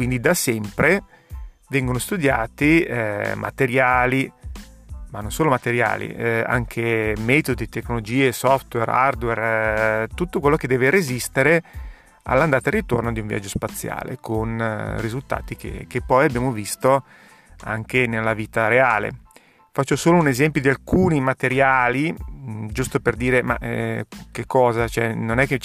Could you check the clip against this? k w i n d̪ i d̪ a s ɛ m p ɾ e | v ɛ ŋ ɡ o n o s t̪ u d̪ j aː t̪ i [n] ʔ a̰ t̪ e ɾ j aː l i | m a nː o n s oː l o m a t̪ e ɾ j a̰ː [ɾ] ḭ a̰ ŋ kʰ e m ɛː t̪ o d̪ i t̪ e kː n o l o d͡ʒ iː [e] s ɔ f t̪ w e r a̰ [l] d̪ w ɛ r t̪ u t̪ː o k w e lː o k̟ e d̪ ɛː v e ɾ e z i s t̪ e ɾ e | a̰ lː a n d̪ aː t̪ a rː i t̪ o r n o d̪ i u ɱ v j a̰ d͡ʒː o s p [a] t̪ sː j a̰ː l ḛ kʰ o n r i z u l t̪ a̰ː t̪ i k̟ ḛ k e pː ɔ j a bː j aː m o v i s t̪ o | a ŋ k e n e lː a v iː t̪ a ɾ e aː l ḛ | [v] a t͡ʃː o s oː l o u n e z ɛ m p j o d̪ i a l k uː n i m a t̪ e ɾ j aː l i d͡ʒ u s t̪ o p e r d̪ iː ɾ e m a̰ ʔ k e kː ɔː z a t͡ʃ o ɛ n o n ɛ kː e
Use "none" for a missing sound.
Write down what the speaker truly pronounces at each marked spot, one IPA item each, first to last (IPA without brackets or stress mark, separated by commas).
m, l, e, r, a, f